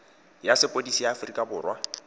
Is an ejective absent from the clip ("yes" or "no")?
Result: no